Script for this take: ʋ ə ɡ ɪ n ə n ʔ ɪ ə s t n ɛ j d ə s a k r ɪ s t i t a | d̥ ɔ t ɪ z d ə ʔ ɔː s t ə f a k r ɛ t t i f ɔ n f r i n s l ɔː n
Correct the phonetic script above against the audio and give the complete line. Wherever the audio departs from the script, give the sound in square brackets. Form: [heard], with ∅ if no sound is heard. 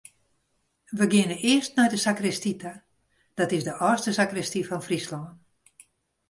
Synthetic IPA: ʋ ə ɡ ɪ n ə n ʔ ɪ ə s t n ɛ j d ə s a k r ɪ s t i t a | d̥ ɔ t ɪ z d ə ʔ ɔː s t ə [s] a k r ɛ [s] t i f ɔ n f r i [∅] s l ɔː n